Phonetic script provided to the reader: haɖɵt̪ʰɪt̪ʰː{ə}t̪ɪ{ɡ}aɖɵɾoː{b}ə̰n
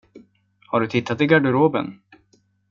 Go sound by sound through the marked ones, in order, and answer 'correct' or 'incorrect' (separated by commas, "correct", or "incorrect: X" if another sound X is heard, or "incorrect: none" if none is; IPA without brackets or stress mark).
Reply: incorrect: a, correct, correct